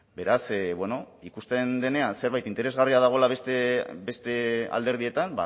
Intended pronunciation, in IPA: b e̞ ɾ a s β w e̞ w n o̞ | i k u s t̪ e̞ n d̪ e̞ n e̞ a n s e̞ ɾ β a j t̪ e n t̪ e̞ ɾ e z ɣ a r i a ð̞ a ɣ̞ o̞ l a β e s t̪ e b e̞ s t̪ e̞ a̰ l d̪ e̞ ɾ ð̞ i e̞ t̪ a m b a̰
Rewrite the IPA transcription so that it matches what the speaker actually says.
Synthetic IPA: b e̞ ɾ a s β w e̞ n o̞ | i k u s t̪ e̞ n d̪ e̞ n e̞ a n s e̞ ɾ β a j t̪ i n t̪ e̞ ɾ e z ɣ a r i a ð̞ a ɣ̞ o̞ l a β e s t̪ e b e̞ s t̪ e̞ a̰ l d̪ e̞ ɾ ð̞ i e̞ t̪ a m b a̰